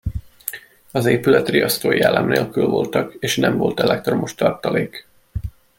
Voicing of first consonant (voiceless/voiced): voiced